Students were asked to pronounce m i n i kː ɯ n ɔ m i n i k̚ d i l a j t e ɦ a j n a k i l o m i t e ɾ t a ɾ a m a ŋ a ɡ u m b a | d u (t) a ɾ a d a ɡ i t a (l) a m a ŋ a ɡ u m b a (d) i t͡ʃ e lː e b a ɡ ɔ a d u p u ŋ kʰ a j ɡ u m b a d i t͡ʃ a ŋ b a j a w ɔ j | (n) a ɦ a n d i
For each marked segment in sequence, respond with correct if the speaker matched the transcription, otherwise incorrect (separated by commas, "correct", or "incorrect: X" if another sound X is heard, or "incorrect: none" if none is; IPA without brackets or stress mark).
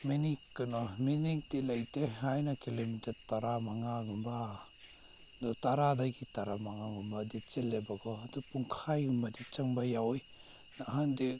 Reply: correct, incorrect: ɾ, correct, correct